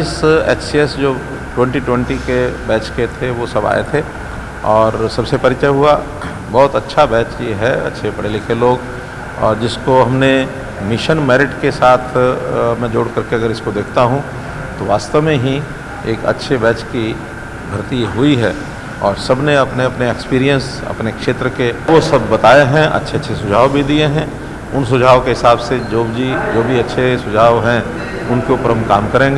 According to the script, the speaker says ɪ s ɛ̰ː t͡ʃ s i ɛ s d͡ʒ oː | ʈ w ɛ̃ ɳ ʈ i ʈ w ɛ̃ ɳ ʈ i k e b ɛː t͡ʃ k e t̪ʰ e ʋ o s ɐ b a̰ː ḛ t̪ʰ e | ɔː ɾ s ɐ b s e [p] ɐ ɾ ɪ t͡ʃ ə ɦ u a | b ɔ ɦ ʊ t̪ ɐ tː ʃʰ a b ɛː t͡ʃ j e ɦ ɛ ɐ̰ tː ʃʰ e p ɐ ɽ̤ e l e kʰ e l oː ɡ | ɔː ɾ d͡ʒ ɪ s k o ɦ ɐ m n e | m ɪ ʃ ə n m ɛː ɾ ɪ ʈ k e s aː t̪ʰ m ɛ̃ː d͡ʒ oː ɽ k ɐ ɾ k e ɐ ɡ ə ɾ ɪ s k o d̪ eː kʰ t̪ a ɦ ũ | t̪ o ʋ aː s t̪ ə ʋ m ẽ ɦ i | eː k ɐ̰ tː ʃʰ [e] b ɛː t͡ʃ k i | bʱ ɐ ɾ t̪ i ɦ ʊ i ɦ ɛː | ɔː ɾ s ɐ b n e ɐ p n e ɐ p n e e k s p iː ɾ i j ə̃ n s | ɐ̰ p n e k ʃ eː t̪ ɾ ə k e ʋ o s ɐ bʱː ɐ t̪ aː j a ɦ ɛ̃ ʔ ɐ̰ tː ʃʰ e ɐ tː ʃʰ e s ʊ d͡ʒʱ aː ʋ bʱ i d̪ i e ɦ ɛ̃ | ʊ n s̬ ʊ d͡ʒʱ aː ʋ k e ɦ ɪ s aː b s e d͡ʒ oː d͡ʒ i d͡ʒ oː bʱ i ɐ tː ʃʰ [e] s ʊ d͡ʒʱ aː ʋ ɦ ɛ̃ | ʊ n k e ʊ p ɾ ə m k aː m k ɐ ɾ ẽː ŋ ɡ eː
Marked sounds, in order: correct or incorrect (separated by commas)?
correct, correct, correct